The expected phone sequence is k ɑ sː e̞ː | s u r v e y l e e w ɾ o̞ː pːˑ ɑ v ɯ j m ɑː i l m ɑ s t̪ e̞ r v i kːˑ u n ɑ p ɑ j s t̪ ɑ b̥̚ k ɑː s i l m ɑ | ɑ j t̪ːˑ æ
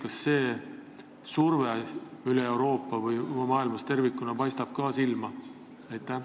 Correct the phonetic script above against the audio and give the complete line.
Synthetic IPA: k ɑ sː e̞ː | s u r v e y l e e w ɾ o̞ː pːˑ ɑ v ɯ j m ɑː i l m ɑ s t̪ e̞ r v i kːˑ u n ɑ p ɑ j s t̪ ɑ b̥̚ k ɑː s i l m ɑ | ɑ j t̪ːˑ æ